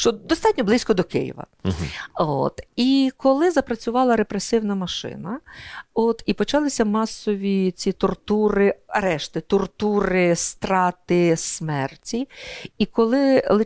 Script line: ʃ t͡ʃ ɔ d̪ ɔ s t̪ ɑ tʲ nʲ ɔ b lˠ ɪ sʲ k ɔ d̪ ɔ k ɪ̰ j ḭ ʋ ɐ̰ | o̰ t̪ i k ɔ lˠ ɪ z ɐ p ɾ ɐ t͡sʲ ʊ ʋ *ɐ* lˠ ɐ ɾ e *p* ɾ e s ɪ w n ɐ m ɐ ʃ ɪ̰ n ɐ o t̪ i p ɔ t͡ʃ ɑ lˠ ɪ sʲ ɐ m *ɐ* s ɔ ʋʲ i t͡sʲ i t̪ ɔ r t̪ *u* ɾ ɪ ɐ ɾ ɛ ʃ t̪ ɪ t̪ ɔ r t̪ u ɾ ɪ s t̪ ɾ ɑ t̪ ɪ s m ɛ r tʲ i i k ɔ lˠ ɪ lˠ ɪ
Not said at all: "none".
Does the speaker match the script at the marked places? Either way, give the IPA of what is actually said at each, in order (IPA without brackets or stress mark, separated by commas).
ɑ, p, ɑ, u